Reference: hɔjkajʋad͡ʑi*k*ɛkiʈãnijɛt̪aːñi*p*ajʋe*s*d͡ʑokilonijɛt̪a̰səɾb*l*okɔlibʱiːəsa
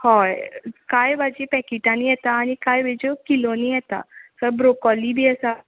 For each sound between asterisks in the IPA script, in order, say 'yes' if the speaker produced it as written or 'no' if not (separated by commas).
no, no, no, no